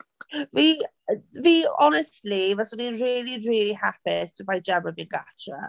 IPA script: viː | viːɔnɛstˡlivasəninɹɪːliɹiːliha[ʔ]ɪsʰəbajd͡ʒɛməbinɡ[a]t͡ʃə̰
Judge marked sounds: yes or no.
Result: no, yes

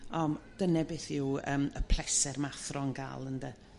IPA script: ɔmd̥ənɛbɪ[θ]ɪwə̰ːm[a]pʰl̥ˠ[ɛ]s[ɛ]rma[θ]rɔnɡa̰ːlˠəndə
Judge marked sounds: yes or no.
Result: yes, no, yes, yes, yes

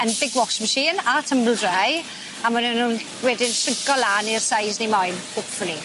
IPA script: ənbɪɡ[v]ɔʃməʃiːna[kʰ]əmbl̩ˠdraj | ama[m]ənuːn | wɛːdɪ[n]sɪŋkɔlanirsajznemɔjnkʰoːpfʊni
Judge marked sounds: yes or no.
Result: no, no, no, yes

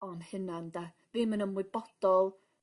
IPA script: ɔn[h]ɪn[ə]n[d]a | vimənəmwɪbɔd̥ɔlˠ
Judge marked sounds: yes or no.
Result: yes, no, yes

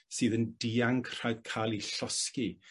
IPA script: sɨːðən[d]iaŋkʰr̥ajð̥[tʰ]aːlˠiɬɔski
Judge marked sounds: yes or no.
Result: yes, no

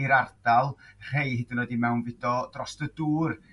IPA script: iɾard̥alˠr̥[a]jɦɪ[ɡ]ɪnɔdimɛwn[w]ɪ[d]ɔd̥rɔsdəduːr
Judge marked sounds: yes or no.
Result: no, no, no, yes

